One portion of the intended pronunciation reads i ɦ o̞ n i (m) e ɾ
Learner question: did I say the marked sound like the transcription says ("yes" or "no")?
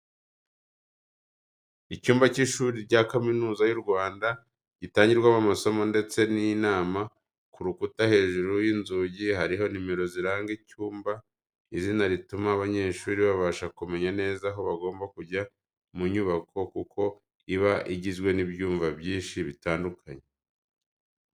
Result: yes